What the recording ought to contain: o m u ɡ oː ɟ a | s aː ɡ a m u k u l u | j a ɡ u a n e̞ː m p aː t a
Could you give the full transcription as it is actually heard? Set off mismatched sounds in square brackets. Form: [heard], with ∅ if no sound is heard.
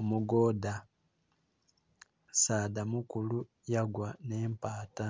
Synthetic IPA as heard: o m u ɡ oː [d] a | s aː [d] a m u k u l u | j a ɡ [w] a n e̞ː m p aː t a